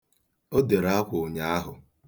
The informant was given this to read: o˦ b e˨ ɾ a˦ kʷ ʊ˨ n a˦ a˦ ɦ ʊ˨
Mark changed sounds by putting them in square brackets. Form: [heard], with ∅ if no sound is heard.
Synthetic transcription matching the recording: o˦ [d] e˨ ɾ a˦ kʷ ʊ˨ [ɲ] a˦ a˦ ɦ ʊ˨